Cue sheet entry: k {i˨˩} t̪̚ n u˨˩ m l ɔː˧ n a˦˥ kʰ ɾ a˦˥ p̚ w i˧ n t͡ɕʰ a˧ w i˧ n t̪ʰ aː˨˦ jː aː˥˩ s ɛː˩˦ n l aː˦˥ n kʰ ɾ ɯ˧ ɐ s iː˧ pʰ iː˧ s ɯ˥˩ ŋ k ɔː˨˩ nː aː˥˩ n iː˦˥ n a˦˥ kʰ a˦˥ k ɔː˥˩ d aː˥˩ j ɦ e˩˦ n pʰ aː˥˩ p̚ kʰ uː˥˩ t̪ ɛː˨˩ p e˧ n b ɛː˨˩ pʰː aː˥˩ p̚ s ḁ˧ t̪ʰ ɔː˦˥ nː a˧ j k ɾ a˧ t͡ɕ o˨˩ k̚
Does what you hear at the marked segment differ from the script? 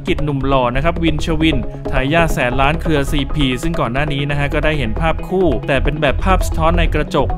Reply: no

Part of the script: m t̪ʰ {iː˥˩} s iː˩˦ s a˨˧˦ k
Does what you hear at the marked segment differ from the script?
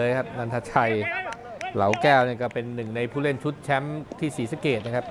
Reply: no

